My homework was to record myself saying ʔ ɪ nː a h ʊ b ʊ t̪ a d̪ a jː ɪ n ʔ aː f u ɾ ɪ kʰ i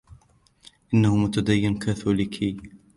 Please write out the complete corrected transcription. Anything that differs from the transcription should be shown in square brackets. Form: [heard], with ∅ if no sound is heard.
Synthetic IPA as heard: ʔ ɪ nː a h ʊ [m] ʊ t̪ a d̪ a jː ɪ n [k] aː [θ] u [l] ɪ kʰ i